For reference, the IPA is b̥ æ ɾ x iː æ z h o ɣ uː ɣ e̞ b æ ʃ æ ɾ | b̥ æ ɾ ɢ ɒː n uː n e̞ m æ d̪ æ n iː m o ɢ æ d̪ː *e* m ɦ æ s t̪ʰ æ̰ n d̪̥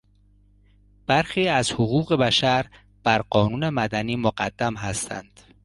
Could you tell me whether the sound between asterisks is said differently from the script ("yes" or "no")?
yes